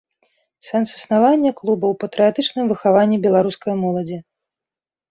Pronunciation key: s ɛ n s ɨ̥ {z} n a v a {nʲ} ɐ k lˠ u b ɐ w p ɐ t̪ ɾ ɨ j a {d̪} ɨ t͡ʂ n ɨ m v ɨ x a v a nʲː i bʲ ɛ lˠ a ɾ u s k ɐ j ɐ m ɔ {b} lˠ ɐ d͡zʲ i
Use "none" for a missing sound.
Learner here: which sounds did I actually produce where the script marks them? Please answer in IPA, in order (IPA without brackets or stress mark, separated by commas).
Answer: s, nʲː, t̪, none